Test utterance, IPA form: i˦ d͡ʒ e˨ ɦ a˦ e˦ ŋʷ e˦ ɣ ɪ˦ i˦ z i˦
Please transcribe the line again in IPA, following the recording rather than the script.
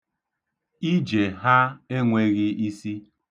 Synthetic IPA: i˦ d͡ʒ e˨ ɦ a˦ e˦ ŋʷ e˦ ɣ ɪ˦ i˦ s i˦